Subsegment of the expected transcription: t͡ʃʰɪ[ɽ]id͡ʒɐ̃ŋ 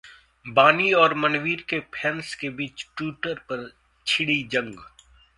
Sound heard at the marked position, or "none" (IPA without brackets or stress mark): ɽ